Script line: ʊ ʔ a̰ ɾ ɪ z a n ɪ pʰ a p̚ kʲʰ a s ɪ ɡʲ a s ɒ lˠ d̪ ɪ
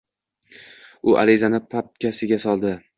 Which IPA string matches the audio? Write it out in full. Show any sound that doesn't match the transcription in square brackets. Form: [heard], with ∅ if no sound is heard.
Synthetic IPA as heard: ʊ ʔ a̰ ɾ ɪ z a n ɪ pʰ a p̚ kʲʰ a s ɪ ɡʲ a s ɒ lˠ d̪ ɪ